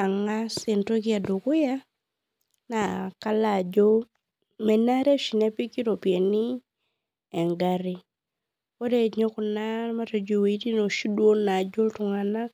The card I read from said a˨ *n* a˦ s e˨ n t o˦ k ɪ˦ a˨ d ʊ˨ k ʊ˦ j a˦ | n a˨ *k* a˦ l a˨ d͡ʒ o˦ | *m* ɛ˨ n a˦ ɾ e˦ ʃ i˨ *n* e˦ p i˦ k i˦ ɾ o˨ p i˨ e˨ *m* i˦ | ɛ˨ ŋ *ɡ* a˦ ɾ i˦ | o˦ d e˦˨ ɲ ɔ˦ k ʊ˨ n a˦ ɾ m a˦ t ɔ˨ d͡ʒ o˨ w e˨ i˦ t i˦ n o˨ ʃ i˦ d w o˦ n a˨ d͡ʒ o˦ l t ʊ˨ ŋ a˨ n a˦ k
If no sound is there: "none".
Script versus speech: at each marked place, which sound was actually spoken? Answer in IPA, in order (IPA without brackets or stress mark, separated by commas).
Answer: ŋ, k, m, n, n, ɡ